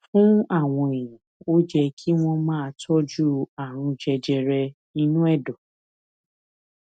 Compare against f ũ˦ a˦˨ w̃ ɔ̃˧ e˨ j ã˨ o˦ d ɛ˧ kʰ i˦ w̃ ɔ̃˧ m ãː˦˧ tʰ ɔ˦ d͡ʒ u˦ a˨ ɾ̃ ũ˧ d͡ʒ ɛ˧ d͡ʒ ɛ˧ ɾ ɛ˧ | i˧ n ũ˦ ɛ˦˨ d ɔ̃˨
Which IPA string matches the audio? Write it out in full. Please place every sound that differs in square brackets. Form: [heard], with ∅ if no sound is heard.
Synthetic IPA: f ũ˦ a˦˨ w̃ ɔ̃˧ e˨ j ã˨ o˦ [d͡ʒ] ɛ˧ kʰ i˦ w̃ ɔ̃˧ m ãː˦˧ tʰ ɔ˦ d͡ʒ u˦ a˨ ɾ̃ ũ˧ d͡ʒ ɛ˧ d͡ʒ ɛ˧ ɾ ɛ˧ | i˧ n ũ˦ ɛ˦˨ d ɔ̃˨